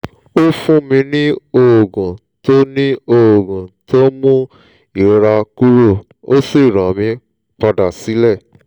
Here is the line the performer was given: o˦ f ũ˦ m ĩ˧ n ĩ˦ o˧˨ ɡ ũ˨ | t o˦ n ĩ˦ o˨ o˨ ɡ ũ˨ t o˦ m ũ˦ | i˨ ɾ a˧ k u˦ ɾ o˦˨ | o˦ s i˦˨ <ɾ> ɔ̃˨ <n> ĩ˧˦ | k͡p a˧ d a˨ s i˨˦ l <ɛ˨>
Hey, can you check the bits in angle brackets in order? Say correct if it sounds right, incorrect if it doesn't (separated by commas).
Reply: correct, incorrect, incorrect